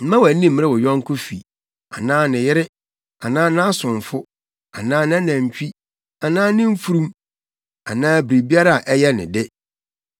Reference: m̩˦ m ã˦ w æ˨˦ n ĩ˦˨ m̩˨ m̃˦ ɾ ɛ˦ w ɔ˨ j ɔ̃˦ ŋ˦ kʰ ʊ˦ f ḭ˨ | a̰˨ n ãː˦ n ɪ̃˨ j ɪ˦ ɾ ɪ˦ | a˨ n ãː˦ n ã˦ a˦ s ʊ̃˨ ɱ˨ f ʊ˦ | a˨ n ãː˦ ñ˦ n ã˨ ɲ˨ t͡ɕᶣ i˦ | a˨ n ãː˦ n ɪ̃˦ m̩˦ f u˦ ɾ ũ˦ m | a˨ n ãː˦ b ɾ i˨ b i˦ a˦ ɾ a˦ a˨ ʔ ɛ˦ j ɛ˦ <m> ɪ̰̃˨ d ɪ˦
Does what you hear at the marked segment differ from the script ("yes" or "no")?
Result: yes